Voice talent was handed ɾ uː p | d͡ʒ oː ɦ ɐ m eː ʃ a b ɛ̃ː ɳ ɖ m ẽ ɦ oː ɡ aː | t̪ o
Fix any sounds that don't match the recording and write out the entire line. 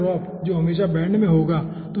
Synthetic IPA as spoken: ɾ ɔː p | d͡ʒ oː ɦ ɐ m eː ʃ a b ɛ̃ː ɳ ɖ m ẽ ɦ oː ɡ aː | t̪ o

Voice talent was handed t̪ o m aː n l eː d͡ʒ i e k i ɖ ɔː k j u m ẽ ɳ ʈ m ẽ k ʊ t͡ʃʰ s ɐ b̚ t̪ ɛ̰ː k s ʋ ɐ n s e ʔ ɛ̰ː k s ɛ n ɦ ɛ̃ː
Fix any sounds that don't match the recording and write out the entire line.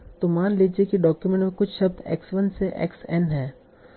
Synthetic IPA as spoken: t̪ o m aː n l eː d͡ʒ i e k i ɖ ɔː k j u m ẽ ɳ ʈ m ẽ k ʊ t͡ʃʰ ʃ ɐ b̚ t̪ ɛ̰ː k s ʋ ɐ n s e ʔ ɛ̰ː k s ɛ n ɦ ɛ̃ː

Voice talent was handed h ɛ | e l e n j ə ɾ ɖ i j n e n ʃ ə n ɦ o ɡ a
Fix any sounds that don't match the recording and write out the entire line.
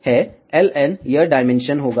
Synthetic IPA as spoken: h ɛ | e l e n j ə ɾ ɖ a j m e n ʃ ə n ɦ o ɡ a

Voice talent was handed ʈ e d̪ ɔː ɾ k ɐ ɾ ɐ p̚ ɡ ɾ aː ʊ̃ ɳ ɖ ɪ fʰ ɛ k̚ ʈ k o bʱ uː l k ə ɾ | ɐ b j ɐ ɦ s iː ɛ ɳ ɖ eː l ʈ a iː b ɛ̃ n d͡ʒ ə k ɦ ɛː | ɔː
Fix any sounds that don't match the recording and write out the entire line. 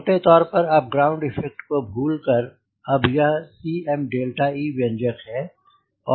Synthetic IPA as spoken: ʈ e t̪ ɔː ɾ p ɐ ɾ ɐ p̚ ɡ ɾ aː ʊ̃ ɳ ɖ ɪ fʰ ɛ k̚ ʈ k o bʱ uː l k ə ɾ | ɐ b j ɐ ɦ s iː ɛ m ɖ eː l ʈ a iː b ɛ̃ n d͡ʒ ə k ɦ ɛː | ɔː

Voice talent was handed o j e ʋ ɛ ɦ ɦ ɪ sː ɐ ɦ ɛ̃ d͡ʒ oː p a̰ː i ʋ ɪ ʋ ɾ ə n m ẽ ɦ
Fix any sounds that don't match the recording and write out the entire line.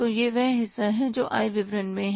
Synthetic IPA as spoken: o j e ʋ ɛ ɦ ɦ ɪ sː a ɦ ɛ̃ d͡ʒ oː ʔ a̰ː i ʋ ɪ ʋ ɾ ə n m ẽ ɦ

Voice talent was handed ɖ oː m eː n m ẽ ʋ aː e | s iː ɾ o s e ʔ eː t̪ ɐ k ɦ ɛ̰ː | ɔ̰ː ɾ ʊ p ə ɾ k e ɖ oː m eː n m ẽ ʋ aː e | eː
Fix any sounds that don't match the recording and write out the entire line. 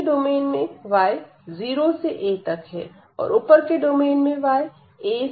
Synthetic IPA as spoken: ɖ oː m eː n m ẽ ʋ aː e | z iː ɾ o s e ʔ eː t̪ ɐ k ɦ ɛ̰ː | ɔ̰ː ɾ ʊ p ə ɾ k e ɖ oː m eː n m ẽ ʋ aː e | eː

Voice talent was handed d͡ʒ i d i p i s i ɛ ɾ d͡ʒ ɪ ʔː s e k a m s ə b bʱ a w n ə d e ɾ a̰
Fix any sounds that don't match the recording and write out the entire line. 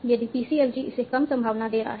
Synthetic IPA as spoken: d͡ʒ a d i p i s i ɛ l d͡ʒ i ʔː s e k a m s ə m bʱ a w n a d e ɾ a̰

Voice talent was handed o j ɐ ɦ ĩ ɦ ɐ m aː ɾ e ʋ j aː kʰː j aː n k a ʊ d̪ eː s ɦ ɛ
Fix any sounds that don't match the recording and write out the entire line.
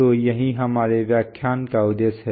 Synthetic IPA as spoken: o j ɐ ɦ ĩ ɦ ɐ m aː ɾ e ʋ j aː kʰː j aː n k a ʊ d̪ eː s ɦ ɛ

